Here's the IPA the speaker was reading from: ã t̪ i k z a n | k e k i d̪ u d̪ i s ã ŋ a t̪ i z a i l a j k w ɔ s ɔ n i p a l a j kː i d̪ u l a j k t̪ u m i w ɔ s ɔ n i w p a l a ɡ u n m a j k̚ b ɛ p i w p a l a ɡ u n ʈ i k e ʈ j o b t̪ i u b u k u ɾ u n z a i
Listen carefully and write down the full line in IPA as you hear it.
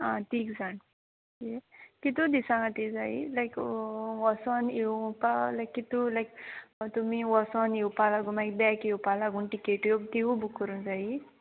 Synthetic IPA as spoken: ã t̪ i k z a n | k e k i t̪ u d̪ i s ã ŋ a t̪ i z a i l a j k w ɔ s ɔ n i p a l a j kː i t̪ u l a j k t̪ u m i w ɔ s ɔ n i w p a l a ɡ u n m a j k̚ b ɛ k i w p a l a ɡ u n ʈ i k e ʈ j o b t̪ i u b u k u ɾ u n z a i